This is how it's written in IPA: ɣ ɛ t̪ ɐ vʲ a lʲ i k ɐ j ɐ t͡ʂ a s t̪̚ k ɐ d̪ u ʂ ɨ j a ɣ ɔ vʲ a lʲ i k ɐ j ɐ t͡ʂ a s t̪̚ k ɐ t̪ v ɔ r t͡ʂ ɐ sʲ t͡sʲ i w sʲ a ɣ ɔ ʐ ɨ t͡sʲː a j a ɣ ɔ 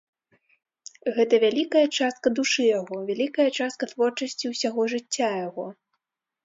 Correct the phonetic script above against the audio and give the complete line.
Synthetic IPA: ɣ ɛ t̪ ɐ vʲ a lʲ i k ɐ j ɐ t͡ʂ a s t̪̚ k ɐ d̪ u ʂ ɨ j a ɣ ɔ vʲ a lʲ i k ɐ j ɐ t͡ʂ a s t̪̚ k ɐ t̪ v ɔ r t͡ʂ ɐ sʲ t͡sʲ i w sʲ a ɣ ɔ ʐ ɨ t͡sʲː a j a ɣ ɔ